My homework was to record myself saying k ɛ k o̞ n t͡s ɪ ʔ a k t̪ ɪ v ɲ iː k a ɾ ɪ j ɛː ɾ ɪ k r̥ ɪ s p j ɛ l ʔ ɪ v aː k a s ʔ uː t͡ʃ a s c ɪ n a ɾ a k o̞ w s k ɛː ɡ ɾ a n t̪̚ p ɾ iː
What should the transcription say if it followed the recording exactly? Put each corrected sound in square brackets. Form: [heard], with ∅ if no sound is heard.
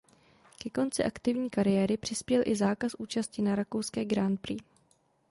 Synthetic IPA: k ɛ k o̞ n t͡s ɪ ʔ a k t̪ ɪ v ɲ iː k a ɾ ɪ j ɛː ɾ ɪ [p] r̥ ɪ s p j ɛ l ʔ ɪ [z] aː k a s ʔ uː t͡ʃ a s c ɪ n a ɾ a k o̞ w s k ɛː ɡ ɾ a n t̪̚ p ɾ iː